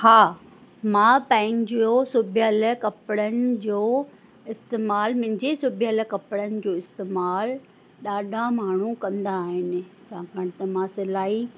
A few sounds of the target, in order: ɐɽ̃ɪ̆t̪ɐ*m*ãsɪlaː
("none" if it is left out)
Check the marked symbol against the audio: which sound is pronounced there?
m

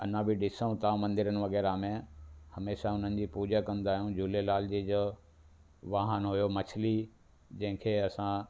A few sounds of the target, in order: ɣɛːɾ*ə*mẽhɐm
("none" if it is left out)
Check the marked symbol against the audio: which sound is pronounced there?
a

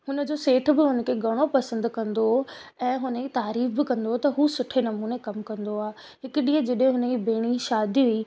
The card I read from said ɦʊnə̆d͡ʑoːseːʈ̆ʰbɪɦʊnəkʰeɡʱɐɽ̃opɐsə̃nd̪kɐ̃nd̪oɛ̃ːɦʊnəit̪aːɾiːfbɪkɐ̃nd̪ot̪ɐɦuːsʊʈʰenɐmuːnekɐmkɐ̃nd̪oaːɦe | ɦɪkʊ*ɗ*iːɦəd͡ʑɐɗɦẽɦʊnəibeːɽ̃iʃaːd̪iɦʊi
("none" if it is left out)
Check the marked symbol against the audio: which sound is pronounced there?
ɗ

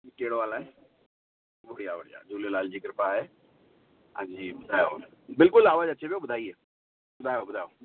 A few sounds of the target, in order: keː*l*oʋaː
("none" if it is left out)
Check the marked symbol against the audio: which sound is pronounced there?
ɽ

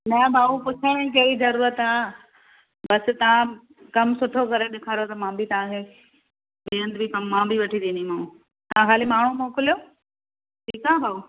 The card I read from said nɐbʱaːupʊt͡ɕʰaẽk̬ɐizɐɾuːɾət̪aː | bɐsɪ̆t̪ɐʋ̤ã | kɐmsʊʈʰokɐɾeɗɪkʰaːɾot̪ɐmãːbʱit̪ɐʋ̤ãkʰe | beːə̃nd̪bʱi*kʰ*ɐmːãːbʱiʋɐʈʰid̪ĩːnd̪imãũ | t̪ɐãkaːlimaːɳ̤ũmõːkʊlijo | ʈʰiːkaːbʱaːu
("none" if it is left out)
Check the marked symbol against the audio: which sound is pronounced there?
k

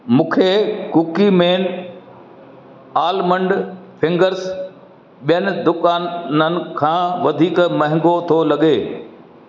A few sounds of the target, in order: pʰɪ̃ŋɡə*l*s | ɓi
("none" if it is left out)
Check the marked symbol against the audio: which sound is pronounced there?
ɾ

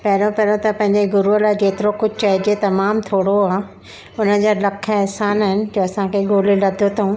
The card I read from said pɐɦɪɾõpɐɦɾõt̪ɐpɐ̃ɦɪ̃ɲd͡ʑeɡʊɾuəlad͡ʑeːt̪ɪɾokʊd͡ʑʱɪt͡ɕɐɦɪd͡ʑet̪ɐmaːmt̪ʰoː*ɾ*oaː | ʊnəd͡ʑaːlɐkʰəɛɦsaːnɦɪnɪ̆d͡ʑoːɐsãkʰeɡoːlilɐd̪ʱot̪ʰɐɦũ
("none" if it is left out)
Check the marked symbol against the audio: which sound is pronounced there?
ɽ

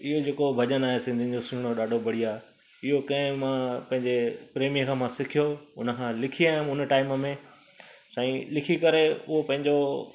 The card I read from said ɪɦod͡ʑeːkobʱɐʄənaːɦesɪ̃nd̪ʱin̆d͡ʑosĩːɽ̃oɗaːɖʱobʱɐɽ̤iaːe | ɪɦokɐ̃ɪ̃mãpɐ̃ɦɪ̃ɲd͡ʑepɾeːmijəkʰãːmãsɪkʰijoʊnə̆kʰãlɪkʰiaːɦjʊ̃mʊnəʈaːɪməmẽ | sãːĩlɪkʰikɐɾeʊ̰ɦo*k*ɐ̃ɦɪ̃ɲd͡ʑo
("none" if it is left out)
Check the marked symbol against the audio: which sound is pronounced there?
p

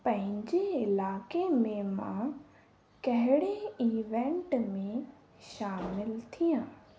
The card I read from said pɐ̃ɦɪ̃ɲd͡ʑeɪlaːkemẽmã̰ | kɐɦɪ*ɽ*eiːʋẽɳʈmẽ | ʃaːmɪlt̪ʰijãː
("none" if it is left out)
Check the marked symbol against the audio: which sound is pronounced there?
ɽ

